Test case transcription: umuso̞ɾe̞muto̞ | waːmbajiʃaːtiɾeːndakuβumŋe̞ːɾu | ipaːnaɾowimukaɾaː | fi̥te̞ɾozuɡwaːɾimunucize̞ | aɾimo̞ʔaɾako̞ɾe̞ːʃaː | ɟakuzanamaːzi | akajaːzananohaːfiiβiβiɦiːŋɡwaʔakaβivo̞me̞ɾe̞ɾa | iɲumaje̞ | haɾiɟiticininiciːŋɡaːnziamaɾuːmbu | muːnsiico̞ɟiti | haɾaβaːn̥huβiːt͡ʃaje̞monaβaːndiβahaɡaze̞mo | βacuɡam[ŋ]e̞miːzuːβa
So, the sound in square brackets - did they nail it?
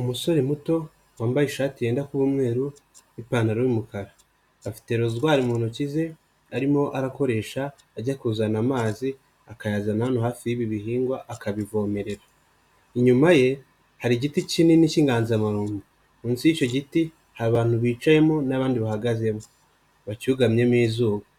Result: no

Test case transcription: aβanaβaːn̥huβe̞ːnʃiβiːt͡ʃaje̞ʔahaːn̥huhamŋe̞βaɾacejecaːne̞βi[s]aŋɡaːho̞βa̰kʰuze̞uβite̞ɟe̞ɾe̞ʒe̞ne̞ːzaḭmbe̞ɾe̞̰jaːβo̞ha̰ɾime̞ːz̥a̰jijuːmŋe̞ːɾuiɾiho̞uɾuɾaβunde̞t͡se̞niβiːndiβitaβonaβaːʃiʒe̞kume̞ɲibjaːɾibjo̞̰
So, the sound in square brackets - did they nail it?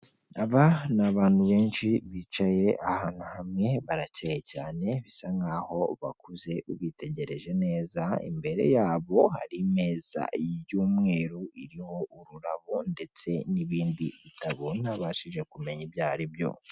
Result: yes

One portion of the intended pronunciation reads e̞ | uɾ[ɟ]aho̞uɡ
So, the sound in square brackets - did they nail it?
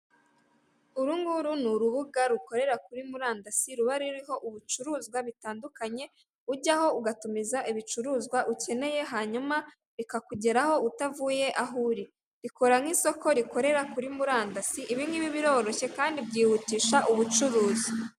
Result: yes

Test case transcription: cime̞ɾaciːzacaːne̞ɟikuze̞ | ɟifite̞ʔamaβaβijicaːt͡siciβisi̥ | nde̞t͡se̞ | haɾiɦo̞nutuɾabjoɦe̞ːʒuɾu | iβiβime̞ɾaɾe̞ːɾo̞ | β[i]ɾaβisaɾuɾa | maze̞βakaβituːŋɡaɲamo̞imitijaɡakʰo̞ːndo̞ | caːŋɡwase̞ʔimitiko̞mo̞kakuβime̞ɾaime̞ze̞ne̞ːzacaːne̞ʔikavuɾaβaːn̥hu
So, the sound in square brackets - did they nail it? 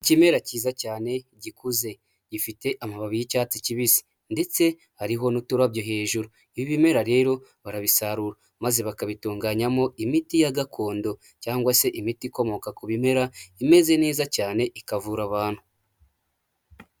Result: no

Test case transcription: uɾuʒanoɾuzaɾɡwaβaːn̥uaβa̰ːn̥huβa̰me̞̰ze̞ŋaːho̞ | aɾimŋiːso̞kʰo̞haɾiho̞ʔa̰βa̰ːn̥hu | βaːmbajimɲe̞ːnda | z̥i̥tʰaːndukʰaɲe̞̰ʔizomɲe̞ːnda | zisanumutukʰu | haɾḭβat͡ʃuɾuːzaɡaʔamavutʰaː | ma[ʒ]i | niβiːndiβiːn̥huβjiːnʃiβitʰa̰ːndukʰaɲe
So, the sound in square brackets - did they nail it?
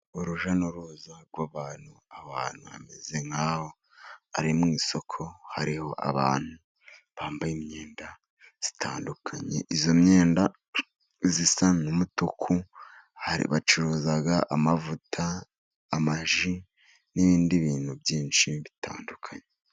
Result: yes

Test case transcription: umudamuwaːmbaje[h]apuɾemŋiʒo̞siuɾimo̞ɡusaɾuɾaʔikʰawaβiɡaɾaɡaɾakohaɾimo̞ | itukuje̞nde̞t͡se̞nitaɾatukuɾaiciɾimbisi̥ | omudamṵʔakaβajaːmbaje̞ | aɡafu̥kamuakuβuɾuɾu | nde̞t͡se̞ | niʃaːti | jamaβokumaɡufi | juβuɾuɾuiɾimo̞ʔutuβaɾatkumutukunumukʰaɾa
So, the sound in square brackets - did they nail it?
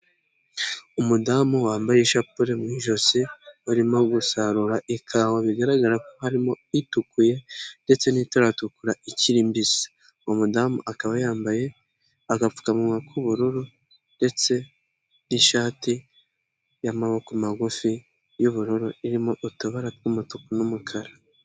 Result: no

